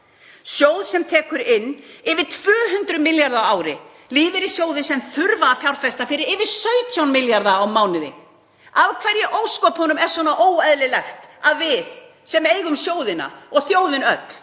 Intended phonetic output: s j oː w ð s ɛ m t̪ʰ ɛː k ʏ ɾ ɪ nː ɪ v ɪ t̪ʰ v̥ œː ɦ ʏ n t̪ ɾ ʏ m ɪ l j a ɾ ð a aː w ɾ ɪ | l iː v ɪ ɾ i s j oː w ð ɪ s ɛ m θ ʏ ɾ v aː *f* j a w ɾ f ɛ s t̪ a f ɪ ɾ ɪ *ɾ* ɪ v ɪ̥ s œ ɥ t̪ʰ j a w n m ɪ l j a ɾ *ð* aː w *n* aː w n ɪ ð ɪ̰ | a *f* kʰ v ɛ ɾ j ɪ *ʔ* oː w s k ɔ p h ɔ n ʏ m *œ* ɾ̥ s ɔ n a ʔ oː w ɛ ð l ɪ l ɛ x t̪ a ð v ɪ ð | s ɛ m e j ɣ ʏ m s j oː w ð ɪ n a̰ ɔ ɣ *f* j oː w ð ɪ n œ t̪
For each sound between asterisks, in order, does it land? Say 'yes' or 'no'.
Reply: yes, yes, yes, no, no, yes, no, no

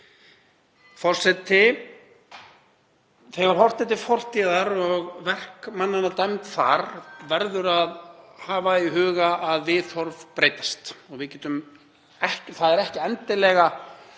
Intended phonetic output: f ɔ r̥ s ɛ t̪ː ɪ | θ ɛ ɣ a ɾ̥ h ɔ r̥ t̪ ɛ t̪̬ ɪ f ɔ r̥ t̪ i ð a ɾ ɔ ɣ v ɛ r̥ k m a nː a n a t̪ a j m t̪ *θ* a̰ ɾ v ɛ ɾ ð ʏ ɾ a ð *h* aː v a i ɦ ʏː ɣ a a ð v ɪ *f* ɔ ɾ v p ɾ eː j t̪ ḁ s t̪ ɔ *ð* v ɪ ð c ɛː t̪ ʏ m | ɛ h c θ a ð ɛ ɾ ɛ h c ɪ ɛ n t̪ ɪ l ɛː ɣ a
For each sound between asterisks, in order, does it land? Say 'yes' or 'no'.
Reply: yes, yes, no, no

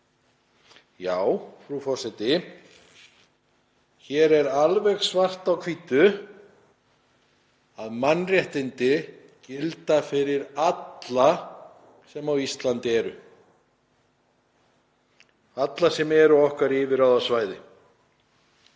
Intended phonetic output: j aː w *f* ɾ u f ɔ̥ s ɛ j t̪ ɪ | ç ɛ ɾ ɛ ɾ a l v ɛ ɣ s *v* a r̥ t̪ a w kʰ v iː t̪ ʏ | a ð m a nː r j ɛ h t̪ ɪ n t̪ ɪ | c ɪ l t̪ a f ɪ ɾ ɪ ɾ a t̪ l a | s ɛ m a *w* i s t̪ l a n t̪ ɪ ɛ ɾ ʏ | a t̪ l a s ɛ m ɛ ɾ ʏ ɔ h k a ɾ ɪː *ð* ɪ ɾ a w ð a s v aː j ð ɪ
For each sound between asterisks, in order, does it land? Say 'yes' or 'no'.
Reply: yes, yes, yes, no

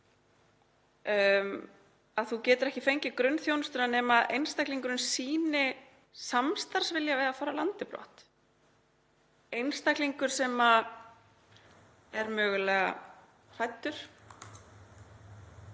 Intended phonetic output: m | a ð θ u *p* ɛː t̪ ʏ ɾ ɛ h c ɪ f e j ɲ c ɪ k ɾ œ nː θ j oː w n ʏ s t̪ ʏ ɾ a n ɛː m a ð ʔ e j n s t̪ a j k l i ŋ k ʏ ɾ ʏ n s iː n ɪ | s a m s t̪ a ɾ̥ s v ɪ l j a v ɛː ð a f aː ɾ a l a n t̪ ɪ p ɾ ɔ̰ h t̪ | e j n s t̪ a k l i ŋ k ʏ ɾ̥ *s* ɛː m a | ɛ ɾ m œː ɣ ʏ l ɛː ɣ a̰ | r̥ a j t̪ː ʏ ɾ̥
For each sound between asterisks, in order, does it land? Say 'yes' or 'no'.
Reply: no, yes

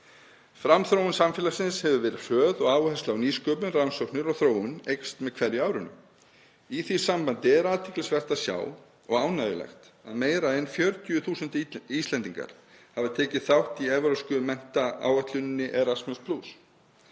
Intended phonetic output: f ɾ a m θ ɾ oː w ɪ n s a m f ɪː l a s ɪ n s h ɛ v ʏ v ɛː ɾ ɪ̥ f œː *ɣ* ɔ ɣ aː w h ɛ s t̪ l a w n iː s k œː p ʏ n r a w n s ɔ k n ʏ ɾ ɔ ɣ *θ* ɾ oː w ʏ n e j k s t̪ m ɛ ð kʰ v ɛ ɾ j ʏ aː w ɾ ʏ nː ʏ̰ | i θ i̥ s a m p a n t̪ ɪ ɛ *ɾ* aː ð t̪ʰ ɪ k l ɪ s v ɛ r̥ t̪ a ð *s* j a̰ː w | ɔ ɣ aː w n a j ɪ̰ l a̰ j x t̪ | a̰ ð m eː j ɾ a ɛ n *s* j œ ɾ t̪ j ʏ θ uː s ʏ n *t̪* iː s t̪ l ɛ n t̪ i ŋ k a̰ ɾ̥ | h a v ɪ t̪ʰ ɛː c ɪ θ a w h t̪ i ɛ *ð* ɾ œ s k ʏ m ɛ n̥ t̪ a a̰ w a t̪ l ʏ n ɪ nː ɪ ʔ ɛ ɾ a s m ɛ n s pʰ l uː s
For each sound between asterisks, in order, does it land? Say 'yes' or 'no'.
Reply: no, yes, yes, yes, no, yes, no

